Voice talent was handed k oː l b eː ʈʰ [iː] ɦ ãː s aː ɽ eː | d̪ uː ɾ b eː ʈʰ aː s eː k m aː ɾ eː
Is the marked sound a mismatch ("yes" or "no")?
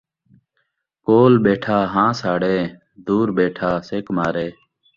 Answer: yes